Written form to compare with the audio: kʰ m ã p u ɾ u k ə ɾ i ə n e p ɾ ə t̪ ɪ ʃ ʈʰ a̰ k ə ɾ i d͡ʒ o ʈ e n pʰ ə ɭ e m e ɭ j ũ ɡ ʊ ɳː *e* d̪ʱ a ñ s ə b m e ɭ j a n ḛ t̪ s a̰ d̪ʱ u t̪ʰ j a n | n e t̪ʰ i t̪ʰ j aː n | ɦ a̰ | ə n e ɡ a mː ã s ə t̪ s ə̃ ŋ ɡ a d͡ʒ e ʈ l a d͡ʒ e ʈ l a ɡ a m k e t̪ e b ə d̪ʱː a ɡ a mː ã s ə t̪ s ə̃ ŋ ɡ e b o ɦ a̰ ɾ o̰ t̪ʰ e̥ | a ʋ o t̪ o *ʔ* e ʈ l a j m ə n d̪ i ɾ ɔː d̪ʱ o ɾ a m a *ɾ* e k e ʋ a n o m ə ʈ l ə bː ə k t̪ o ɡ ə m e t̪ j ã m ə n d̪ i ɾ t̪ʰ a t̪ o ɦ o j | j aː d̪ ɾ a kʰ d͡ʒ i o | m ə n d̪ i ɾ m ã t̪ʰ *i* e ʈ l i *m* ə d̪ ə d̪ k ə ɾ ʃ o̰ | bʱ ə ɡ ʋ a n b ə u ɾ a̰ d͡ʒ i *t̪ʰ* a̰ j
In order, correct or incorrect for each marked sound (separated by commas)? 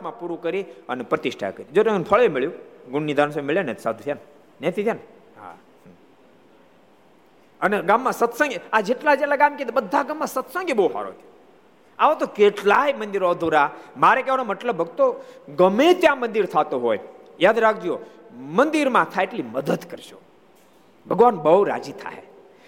incorrect, incorrect, correct, incorrect, correct, correct